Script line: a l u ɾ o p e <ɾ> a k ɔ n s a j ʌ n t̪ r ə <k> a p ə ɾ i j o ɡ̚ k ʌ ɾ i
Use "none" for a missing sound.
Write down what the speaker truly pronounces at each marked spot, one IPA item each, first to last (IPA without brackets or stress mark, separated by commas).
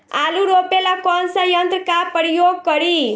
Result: l, k